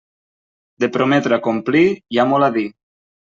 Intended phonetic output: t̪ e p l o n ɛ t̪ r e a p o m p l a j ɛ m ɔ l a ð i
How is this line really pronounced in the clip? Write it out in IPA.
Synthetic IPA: d̪ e p ɾ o m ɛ t̪ ɾ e a k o m p l i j a m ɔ l a ð i